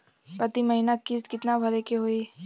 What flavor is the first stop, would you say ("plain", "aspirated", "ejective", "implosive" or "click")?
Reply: plain